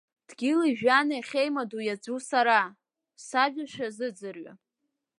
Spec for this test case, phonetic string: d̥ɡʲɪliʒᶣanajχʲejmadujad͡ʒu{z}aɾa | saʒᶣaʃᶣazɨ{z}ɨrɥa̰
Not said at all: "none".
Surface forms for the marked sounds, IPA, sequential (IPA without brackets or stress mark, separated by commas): s, d͡z